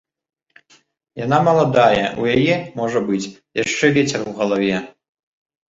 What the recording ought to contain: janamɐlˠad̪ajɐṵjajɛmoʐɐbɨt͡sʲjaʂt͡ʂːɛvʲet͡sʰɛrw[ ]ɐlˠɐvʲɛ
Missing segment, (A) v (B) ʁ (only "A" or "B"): B